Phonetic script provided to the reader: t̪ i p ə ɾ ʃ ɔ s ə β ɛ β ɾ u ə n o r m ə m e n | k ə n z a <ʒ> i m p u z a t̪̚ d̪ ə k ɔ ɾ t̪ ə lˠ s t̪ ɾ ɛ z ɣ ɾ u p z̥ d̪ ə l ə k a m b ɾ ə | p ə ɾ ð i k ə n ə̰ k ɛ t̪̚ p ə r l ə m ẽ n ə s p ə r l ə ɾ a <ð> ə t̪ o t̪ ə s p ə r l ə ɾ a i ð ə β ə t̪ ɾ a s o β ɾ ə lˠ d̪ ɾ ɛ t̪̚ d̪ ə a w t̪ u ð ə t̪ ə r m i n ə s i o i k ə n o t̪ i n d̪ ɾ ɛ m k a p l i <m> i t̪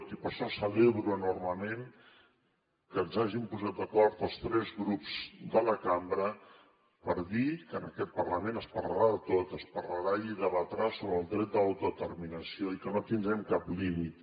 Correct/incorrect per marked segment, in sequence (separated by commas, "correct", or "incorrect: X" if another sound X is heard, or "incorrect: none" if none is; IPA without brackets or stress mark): correct, correct, correct